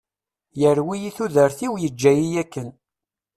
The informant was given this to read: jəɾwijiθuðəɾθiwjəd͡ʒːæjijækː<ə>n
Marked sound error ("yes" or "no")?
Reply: no